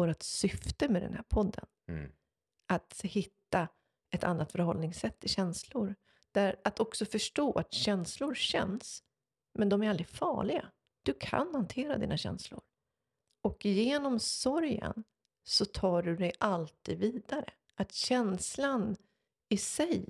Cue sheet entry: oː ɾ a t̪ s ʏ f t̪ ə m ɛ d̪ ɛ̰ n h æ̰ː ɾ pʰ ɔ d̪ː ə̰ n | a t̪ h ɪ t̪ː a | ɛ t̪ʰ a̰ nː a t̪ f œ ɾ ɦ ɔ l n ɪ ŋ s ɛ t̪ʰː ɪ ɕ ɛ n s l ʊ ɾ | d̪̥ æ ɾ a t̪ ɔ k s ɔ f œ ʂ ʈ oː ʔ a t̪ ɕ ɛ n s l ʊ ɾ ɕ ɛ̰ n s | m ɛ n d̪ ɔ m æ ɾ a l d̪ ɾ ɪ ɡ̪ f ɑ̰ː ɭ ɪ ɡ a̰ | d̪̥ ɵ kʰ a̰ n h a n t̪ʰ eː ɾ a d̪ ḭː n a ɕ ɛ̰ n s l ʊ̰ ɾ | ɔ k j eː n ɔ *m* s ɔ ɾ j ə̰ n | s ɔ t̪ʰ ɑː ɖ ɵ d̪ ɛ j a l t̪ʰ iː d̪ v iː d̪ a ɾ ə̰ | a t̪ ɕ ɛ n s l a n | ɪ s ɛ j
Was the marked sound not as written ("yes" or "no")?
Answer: no